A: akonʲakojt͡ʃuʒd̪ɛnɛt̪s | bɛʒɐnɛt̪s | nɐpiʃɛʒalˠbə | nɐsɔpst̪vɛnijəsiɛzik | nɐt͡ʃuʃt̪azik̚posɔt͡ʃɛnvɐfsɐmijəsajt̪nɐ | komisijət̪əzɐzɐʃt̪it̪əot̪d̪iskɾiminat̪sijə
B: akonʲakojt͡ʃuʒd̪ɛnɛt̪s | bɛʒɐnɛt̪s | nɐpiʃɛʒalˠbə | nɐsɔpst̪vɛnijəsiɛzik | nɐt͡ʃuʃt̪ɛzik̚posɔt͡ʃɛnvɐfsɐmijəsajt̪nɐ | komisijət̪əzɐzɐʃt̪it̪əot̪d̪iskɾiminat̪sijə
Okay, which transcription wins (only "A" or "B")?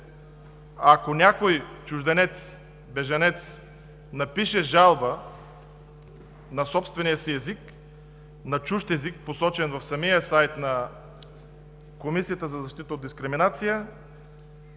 B